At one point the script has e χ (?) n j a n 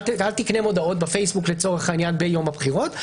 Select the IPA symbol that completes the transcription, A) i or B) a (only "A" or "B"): B